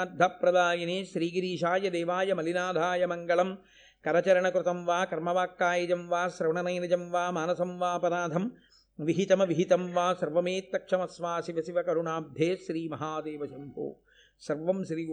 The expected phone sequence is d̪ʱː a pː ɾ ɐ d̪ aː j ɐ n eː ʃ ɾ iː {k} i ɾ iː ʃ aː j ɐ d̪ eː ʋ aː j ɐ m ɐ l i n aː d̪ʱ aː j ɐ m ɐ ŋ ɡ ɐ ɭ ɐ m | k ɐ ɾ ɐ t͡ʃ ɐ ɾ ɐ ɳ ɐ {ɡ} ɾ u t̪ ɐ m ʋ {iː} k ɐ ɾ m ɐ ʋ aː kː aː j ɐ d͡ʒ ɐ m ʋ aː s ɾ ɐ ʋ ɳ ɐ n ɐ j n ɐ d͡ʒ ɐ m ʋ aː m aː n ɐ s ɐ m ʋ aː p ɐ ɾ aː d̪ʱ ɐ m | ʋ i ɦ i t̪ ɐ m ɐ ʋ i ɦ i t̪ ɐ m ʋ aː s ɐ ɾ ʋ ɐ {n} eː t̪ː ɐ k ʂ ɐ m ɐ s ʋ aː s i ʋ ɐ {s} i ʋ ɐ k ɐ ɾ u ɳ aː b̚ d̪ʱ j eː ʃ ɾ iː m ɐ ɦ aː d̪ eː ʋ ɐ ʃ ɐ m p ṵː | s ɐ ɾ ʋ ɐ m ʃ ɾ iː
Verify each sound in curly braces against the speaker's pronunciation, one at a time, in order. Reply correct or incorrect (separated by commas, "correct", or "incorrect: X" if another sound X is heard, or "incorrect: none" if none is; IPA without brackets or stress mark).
incorrect: ɡ, incorrect: k, incorrect: aː, incorrect: m, correct